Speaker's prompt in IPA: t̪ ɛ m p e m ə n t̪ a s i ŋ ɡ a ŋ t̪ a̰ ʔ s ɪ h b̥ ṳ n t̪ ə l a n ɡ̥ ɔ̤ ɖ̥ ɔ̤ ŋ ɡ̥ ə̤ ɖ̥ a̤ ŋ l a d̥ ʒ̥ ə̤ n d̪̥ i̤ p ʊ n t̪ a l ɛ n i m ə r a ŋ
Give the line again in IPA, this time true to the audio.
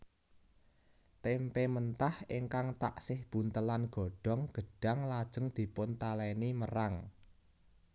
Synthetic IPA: t̪ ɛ m p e m ə n t̪ a h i ŋ k a ŋ t̪ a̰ ʔ s ɪ h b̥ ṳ n t̪ ə l a n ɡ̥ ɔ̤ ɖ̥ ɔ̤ ŋ ɡ̥ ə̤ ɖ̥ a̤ ŋ l a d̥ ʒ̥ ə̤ ŋ d̪̥ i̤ p ʊ n t̪ a l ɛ n i m ə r a ŋ